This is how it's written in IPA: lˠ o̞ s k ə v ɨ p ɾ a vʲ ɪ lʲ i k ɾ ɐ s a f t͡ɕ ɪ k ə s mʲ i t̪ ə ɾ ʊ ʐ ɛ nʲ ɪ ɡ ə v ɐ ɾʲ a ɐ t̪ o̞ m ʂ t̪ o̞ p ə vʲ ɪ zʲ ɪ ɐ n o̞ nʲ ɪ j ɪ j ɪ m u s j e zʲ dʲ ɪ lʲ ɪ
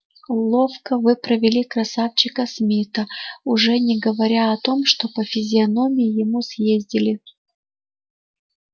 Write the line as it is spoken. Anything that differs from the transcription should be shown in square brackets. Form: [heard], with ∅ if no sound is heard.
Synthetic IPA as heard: lˠ o̞ [f] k ə v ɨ p ɾ [ə] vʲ ɪ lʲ i k ɾ ɐ s a f t͡ɕ ɪ k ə s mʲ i t̪ ə [∅] ʊ ʐ ɛ nʲ ɪ ɡ ə v ɐ ɾʲ a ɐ t̪ o̞ m ʂ t̪ o̞ p ə [fʲ] ɪ zʲ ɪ ɐ n o̞ [mʲ] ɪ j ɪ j ɪ m u s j e zʲ dʲ ɪ lʲ ɪ